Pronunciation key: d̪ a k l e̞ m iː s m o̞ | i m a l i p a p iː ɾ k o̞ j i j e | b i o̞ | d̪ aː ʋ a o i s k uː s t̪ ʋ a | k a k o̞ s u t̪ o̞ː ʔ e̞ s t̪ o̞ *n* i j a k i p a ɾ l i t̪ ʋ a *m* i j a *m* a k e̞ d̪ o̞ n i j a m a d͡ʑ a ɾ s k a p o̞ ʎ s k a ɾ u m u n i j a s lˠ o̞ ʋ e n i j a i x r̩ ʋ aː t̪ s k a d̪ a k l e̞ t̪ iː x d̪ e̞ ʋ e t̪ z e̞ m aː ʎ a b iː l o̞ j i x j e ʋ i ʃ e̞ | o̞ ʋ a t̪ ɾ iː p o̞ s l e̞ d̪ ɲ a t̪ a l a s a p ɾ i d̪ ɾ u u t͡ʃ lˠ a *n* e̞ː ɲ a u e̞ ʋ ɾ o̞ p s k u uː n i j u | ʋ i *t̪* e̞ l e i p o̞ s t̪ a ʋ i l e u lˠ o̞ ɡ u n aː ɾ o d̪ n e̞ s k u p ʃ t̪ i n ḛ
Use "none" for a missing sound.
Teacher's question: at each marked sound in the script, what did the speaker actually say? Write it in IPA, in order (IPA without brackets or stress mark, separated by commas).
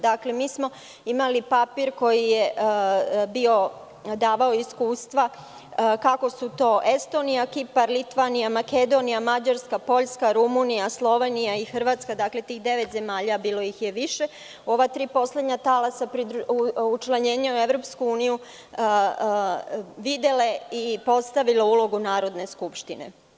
n, n, m, ɲ, d̪